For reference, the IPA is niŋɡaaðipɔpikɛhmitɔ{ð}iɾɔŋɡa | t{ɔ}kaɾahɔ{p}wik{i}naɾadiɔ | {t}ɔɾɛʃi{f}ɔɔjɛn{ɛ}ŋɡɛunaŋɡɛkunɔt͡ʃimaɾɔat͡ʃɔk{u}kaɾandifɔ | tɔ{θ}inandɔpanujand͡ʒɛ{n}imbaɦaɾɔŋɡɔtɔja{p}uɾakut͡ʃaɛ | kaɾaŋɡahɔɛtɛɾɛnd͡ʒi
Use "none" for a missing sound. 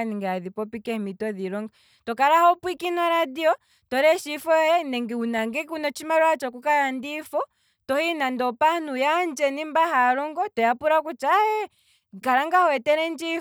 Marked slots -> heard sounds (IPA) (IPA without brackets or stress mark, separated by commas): ð, ɔ, p, i, t, f, ɛ, u, h, n, p